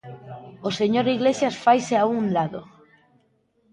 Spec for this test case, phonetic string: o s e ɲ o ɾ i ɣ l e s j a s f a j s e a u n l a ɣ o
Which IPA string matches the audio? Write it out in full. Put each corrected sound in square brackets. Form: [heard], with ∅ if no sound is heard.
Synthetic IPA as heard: o s e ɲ o ɾ i ɣ l e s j a s f a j s e a u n l a [ð] o